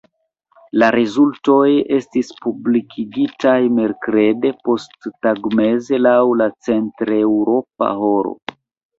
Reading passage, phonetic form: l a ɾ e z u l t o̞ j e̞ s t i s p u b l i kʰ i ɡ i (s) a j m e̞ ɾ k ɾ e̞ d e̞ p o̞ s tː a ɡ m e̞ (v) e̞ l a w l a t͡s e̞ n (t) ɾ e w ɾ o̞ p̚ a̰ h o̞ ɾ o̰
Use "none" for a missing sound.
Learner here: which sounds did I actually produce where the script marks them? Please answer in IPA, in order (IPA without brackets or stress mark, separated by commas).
t, z, t